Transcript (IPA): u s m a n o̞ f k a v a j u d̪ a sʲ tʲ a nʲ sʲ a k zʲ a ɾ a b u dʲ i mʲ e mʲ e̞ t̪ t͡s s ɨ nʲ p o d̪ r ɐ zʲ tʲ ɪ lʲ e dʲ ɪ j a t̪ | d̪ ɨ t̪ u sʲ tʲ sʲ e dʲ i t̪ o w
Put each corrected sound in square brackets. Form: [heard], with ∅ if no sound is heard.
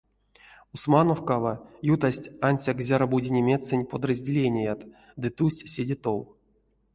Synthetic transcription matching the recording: u s m a n o̞ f k a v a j u [t̪] a sʲ tʲ a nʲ sʲ a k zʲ a ɾ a b u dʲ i [nʲ] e mʲ e̞ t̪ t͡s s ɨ nʲ p o d̪ r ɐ zʲ [dʲ] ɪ lʲ e [nʲ] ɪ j a t̪ | d̪ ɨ t̪ u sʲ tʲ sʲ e dʲ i t̪ o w